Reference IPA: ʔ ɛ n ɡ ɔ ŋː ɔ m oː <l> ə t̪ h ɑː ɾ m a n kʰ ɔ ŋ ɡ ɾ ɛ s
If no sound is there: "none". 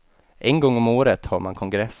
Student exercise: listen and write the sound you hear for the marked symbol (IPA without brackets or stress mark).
ɾ